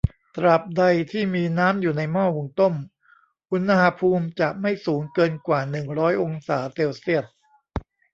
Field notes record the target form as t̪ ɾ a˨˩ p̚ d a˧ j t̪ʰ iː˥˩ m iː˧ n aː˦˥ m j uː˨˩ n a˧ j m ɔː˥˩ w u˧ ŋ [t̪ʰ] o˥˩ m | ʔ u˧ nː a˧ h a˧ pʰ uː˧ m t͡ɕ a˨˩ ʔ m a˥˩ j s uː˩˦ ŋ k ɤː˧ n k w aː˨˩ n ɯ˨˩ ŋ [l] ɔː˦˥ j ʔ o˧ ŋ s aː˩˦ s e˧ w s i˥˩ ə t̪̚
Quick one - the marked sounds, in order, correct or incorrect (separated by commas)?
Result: incorrect, incorrect